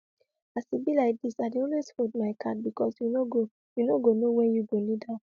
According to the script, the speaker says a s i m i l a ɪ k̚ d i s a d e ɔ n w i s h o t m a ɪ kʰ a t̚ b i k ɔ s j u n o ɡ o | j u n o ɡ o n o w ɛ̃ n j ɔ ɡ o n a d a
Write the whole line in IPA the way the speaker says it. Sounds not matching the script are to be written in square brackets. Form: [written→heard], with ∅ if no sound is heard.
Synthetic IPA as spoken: a s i [m→b] i l a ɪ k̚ d i s a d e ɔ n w [i→e] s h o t m a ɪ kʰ a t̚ b i k ɔ s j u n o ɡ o | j u n o ɡ o n o w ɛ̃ n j [ɔ→u] ɡ o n [a→i] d a